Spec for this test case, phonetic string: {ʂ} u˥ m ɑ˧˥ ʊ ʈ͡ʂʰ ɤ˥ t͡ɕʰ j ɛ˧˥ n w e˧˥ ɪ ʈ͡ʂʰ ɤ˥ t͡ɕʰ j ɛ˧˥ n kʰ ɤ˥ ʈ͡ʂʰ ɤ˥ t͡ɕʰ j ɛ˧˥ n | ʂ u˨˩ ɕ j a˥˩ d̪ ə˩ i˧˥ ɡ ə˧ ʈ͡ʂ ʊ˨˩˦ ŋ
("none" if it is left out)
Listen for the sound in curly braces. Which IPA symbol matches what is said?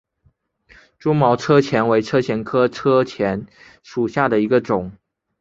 ʈ͡ʂ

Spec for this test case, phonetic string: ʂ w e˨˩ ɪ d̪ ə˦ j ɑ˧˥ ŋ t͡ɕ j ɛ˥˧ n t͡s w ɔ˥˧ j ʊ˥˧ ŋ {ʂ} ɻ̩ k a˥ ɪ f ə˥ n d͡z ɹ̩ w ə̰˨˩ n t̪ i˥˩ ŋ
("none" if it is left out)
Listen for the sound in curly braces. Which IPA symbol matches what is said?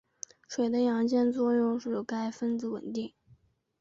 ʂ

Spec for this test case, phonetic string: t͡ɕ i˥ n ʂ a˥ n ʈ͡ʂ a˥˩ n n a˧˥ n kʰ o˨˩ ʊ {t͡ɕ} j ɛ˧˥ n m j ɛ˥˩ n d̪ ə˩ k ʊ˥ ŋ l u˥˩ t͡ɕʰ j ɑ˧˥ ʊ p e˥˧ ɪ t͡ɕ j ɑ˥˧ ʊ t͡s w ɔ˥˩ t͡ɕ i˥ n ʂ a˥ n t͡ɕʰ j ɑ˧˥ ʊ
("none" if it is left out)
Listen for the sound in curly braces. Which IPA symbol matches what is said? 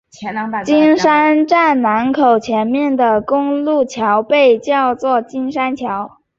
t͡ɕʰ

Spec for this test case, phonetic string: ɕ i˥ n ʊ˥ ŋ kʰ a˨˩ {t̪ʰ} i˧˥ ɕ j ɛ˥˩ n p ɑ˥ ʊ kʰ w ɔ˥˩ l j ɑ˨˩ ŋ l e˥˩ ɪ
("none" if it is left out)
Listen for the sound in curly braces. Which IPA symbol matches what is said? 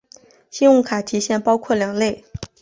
t̪ʰ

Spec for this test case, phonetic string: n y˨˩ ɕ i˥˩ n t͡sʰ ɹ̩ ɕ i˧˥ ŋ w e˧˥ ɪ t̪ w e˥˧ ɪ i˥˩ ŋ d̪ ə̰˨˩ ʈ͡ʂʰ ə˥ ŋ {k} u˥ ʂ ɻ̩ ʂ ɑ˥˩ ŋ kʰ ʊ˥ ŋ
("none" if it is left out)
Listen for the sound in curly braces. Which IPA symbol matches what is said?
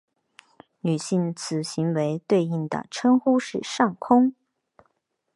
x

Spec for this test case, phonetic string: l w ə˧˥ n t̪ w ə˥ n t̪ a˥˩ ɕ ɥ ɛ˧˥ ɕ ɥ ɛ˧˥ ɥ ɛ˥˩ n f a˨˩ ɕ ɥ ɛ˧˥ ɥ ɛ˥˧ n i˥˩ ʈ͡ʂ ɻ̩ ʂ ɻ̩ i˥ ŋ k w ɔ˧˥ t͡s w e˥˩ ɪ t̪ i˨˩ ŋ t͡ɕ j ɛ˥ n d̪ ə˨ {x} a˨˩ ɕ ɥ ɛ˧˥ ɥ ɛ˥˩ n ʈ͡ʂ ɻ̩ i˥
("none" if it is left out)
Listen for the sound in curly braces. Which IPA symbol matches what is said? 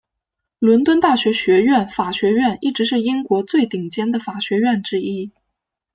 f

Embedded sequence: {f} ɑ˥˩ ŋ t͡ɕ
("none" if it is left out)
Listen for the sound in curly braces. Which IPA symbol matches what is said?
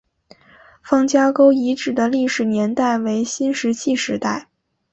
f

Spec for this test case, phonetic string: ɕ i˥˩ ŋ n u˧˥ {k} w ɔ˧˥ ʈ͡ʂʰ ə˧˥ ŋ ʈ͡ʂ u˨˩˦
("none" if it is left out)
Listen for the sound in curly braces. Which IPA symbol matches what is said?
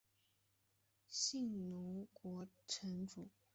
k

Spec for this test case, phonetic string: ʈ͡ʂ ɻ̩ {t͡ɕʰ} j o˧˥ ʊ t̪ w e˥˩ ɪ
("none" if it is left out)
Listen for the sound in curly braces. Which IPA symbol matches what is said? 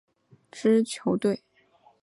t͡ɕʰ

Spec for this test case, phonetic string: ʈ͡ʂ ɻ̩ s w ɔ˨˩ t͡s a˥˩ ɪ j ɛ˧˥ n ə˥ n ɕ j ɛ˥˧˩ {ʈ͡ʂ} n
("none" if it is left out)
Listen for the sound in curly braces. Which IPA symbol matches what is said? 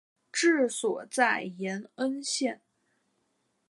none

